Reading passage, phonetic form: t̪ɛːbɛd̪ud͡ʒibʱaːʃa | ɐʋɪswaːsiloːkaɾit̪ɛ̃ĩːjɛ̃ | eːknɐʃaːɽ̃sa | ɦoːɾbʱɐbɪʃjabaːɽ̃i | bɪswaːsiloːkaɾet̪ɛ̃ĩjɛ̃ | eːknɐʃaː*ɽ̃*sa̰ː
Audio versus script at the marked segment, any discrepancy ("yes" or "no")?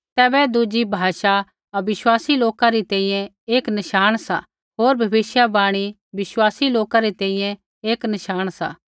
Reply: no